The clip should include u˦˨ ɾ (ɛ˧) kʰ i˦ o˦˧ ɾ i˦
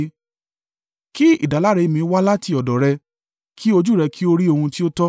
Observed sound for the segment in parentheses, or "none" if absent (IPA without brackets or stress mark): ɛ˧